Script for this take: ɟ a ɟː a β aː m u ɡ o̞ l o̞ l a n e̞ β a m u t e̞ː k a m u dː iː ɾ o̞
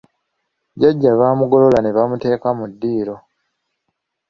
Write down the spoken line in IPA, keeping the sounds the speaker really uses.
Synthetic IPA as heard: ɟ a ɟː a β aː m u ɡ o̞ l o̞ l a n e̞ β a m u t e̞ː k a m u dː iː ɾ o̞